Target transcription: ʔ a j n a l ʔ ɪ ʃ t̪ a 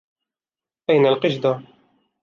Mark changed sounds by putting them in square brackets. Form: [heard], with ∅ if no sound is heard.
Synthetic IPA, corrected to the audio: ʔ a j n a l [q] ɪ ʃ [d̪] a